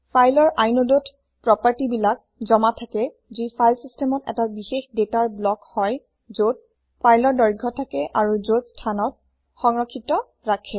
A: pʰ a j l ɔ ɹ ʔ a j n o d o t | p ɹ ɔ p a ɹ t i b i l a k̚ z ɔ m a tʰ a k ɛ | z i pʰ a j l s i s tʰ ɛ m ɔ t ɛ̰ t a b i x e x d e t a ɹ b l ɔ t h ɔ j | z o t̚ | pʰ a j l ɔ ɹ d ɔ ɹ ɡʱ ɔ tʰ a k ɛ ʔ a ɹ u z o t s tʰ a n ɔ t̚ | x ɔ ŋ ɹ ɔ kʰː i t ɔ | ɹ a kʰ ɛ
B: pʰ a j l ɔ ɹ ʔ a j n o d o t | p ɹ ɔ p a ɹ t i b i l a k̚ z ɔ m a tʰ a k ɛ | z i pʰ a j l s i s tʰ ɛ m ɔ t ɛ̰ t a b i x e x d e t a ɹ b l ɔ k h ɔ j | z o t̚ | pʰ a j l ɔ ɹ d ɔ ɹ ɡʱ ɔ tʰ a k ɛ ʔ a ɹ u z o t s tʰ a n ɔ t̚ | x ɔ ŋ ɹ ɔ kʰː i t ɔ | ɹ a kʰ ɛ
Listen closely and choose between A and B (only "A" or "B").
B